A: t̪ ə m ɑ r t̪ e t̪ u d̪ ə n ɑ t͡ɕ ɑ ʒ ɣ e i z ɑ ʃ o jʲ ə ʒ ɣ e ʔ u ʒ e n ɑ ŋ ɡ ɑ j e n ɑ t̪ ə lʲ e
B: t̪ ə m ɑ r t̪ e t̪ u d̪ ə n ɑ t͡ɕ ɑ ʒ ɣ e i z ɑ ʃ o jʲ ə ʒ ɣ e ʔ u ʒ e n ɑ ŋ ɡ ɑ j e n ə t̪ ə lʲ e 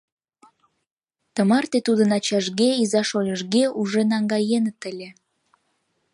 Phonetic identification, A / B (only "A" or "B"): B